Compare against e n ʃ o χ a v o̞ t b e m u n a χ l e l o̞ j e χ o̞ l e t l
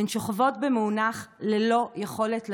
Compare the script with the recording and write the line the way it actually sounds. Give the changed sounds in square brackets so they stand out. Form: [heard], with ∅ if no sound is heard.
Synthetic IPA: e n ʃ o χ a v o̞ t b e m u n a χ l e l o̞ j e χ o̞ l e t l